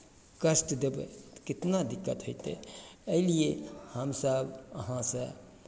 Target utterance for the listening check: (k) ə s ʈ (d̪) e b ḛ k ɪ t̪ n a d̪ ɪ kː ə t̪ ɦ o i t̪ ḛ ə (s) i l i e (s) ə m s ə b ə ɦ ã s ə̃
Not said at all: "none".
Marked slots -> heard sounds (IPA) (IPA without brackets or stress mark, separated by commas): k, d̪, none, h